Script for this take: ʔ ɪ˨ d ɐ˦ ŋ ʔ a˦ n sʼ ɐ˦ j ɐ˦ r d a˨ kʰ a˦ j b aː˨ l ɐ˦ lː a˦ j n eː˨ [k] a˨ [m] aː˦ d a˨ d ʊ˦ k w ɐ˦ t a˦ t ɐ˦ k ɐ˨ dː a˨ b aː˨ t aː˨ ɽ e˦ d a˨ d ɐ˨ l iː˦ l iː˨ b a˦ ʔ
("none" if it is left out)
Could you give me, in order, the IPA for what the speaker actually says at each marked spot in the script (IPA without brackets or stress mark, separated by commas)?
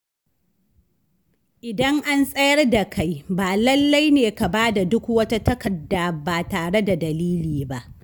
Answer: k, b